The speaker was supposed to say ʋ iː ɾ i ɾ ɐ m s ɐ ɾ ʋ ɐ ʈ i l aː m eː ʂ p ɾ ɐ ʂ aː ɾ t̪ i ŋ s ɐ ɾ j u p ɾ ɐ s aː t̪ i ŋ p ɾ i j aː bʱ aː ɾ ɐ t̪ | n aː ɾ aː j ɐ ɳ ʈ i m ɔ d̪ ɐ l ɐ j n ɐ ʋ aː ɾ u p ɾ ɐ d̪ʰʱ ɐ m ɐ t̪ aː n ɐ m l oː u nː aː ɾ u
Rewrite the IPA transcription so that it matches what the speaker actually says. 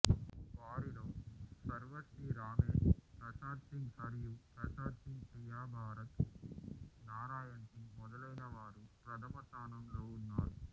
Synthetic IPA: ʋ aː ɾ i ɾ ɐ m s ɐ ɾ ʋ ɐ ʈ i ɾ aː m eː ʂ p ɾ ɐ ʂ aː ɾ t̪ i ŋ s ɐ ɾ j u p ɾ ɐ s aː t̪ i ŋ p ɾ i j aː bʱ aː ɾ ɐ t̪ | n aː ɾ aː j ɐ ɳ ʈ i m ɔ d̪ ɐ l ɐ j n ɐ ʋ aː ɾ u p ɾ ɐ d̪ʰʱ ɐ m ɐ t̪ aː n ɐ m l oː u nː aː ɾ u

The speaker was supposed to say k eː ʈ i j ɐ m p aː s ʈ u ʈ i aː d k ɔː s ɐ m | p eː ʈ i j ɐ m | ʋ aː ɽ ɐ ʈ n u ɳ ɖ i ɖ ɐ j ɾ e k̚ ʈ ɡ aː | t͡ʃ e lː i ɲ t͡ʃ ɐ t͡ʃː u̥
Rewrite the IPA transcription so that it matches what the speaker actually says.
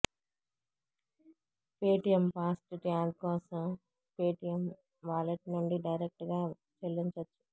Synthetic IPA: p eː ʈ i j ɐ m p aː s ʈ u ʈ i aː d k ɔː s ɐ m | p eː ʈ i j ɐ m | ʋ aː l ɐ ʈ n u ɳ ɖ i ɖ ɐ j ɾ e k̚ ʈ ɡ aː | t͡ʃ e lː i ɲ t͡ʃ ɐ t͡ʃː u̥

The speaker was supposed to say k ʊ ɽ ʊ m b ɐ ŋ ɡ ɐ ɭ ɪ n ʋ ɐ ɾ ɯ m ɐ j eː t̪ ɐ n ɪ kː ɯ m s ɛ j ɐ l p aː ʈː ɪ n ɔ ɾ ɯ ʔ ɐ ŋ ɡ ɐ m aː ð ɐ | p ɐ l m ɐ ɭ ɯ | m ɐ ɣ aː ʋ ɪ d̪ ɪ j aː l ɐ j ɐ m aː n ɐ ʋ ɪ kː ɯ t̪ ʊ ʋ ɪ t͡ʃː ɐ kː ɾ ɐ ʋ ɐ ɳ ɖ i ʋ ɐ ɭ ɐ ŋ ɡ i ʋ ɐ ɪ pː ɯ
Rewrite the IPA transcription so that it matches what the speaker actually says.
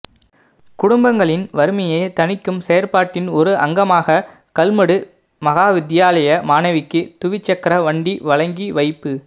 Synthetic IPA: k ʊ ɽ ʊ m b ɐ ŋ ɡ ɐ ɭ ɪ n ʋ ɐ ɾ ɯ m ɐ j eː t̪ ɐ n ɪ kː ɯ m s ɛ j ɐ ɾ p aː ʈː ɪ n ɔ ɾ ɯ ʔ ɐ ŋ ɡ ɐ m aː ɣ ɐ | k ɐ l m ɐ ɽ ɯ | m ɐ ɣ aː ʋ ɪ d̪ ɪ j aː l ɐ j ɐ m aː n ɐ ʋ ɪ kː ɯ t̪ ʊ ʋ ɪ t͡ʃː ɐ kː ɾ ɐ ʋ ɐ ɳ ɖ i ʋ ɐ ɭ ɐ ŋ ɡ i ʋ ɐ ɪ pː ɯ

